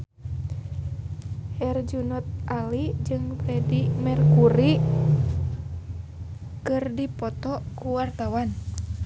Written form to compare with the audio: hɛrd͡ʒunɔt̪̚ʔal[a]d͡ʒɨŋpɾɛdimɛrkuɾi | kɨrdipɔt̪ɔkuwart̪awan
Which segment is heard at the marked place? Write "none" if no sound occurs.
i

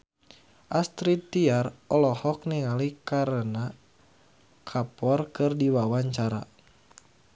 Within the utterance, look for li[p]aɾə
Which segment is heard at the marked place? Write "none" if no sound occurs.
k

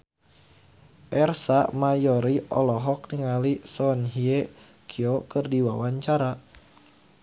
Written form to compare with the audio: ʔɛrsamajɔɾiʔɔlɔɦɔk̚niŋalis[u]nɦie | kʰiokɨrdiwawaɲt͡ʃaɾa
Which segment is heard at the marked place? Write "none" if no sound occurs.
ɔ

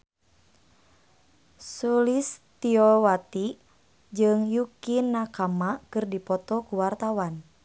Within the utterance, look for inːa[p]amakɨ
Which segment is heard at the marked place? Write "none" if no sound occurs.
k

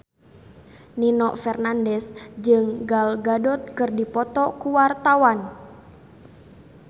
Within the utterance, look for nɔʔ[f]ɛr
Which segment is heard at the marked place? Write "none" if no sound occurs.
f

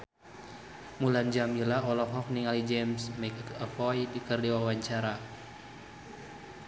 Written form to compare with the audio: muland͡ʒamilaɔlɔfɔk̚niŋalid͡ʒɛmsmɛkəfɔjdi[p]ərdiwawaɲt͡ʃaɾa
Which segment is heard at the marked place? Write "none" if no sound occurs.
k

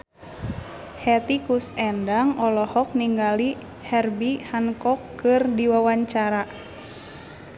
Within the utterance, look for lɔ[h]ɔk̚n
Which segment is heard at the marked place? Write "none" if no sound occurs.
h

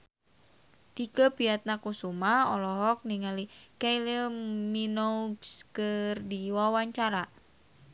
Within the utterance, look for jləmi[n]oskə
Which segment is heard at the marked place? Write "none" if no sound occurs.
n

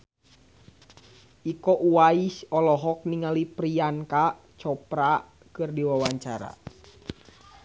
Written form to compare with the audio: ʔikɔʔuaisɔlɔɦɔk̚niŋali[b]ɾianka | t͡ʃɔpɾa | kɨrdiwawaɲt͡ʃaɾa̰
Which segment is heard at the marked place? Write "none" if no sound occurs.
p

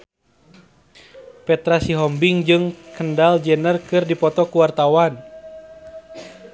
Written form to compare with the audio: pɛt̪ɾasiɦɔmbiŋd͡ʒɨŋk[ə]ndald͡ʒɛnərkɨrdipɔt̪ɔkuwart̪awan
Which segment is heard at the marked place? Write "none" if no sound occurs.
ə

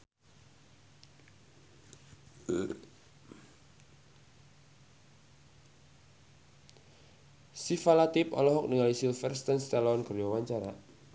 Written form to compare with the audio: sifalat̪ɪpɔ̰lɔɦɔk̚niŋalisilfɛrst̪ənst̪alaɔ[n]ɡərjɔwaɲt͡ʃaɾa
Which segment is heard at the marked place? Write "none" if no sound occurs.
n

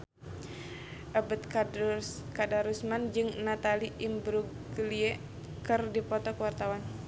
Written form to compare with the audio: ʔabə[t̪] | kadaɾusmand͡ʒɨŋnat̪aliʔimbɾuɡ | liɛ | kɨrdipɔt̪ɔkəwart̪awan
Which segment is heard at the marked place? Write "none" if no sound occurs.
t̪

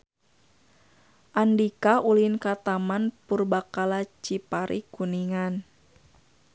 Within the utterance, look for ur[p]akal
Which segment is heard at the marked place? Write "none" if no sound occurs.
b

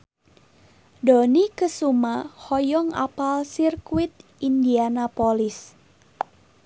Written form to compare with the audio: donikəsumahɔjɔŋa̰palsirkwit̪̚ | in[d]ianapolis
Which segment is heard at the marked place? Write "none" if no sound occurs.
d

